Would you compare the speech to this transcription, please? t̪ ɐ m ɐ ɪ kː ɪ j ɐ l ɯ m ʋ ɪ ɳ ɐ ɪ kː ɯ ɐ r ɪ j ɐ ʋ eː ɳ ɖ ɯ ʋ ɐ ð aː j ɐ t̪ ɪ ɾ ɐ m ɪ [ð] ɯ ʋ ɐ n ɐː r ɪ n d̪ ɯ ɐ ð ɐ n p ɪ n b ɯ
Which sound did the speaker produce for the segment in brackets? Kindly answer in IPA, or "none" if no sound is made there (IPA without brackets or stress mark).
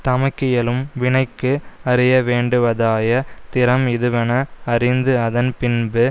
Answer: ð